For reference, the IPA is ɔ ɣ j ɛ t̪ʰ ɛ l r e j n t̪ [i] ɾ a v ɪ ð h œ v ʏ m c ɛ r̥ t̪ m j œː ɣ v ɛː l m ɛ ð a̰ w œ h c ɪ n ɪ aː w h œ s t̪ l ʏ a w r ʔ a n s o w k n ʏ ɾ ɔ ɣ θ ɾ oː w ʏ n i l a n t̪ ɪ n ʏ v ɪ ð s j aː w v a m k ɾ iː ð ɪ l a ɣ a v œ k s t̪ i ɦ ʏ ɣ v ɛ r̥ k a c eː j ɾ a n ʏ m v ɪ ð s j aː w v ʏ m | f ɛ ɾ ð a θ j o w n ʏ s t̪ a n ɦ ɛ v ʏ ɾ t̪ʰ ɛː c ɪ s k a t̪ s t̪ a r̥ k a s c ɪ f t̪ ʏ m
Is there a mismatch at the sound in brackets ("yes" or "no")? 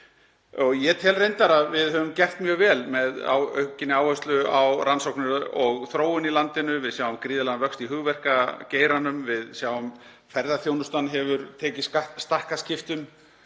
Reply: yes